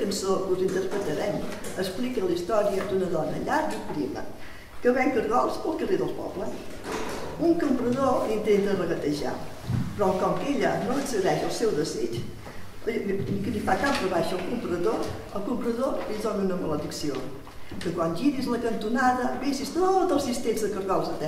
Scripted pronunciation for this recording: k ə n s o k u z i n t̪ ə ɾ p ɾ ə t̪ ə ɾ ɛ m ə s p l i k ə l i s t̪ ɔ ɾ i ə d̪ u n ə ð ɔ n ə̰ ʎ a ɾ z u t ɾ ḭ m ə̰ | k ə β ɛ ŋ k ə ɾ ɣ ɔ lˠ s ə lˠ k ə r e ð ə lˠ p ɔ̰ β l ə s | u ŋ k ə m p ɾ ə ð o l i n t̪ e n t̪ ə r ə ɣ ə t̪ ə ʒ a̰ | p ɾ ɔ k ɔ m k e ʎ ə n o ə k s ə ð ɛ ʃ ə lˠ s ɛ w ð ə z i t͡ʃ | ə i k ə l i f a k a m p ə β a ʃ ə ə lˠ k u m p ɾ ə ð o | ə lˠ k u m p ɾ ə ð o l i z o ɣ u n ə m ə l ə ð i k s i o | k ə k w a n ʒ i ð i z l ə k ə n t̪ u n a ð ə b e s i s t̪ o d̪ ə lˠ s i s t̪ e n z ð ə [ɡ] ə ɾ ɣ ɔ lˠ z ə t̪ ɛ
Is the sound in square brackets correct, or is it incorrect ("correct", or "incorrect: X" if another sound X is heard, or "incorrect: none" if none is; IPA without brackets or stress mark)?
incorrect: k